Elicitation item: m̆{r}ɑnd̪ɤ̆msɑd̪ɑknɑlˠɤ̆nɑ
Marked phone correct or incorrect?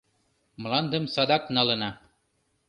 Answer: incorrect